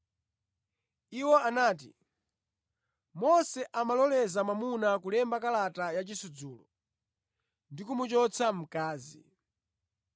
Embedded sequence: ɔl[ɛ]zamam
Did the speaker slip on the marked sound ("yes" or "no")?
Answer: no